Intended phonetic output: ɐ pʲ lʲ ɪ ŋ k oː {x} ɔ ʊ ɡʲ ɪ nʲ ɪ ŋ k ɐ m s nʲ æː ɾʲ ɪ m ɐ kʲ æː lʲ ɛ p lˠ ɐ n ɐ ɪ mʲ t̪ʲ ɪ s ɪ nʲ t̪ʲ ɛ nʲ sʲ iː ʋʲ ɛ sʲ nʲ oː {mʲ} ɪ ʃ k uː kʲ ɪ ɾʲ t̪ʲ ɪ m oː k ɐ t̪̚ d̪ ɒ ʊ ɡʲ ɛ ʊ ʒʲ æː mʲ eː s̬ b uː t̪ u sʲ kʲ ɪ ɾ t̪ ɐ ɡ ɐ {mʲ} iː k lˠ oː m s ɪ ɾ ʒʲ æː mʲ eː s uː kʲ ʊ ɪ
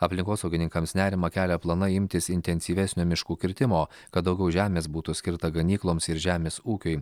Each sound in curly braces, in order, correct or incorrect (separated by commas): incorrect, correct, incorrect